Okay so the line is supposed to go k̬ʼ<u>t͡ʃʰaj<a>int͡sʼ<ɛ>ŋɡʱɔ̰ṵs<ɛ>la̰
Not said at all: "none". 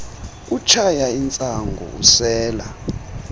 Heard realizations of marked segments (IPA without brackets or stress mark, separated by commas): u, a, a, ɛː